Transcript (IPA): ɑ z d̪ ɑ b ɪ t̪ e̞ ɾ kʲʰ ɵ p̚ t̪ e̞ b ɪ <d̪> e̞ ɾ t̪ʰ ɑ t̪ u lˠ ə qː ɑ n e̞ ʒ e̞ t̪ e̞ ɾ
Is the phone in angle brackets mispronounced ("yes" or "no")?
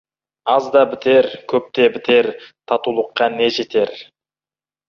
yes